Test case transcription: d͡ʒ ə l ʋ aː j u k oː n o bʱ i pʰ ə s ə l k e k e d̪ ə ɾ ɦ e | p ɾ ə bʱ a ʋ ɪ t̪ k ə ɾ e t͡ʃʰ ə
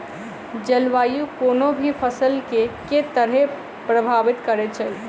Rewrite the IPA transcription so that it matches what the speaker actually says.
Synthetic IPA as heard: d͡ʒ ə l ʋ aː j u k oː n o bʱ i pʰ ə s ə l k e k e t̪ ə ɾ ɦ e | p ɾ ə bʱ a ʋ ɪ t̪ k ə ɾ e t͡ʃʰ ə